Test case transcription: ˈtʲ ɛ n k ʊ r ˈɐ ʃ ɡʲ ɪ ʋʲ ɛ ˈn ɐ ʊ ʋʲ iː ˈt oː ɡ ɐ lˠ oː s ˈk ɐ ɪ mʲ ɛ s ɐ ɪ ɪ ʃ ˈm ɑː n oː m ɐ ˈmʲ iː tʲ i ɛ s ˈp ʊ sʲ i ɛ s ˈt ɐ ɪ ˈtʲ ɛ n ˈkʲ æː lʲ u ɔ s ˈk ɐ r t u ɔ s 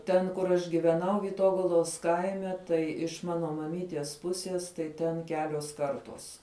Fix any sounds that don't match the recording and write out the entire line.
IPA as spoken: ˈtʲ ɛ n k ʊ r ˈɐ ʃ ɡʲ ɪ ʋʲ ɛ ˈn ɐ ʊ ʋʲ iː ˈt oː ɡ ɐ lˠ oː s ˈk ɐ ɪ mʲ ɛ t ɐ ɪ ɪ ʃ ˈm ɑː n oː m ɐ ˈmʲ iː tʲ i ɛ s ˈp ʊ sʲ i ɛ s ˈt ɐ ɪ ˈtʲ ɛ n ˈkʲ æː lʲ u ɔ s ˈk ɐ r t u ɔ s